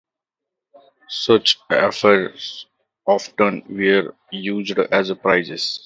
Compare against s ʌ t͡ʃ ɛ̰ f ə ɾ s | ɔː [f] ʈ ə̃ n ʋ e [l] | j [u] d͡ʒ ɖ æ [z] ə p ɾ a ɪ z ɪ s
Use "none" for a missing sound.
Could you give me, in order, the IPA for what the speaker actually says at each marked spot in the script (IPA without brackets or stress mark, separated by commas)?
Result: f, ɾ, uː, z